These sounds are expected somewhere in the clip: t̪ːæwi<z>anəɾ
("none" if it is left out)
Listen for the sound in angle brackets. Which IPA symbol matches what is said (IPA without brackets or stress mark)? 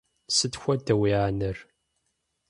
ʕ